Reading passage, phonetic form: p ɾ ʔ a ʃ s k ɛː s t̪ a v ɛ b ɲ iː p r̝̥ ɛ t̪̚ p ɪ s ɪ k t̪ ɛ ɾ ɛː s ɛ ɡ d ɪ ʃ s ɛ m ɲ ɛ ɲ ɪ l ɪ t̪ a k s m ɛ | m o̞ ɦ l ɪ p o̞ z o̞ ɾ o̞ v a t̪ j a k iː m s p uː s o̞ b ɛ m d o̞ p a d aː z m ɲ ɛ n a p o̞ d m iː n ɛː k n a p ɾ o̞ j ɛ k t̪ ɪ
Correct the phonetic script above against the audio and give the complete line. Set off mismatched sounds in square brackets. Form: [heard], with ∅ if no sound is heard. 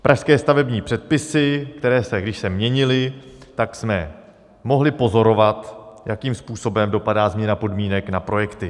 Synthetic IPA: p ɾ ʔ a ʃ s k ɛː s t̪ a v ɛ b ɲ iː p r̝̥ ɛ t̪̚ p ɪ s ɪ k t̪ ɛ ɾ ɛː s ɛ ɡ d ɪ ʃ s ɛ m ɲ ɛ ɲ ɪ l ɪ t̪ a k s m ɛ | m o̞ ɦ l ɪ p o̞ z o̞ ɾ o̞ v a t̪ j a k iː m s p uː s o̞ b ɛ m d o̞ p a d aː z m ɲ ɛ n a p o̞ d m iː n [ɛ] k n a p ɾ o̞ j ɛ k t̪ ɪ